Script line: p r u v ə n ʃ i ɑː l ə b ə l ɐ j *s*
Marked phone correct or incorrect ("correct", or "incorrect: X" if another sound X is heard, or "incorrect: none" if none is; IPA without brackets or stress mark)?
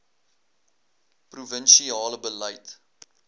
incorrect: t